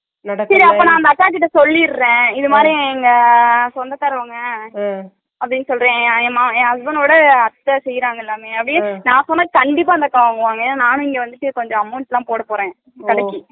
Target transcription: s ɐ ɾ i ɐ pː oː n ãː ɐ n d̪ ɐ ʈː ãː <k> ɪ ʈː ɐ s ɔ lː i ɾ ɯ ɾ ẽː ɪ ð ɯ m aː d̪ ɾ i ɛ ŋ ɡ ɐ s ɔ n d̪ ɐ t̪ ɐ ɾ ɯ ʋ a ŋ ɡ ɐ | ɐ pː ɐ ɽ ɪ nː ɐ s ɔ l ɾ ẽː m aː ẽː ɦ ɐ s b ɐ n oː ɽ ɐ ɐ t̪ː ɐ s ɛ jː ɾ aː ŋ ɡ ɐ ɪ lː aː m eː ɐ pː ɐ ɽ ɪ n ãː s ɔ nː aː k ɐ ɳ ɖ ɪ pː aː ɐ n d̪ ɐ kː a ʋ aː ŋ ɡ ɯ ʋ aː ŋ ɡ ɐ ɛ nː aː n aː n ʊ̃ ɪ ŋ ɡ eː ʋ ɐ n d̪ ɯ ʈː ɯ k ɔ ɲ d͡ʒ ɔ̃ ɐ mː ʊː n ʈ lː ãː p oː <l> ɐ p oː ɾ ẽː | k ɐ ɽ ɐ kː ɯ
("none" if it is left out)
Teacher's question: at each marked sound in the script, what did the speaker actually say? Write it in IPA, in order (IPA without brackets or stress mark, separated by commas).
k, ɽ